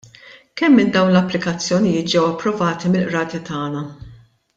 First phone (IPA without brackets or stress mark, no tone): k